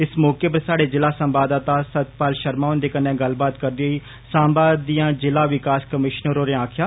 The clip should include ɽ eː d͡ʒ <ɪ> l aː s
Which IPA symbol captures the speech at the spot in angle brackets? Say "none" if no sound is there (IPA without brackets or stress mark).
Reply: ɪ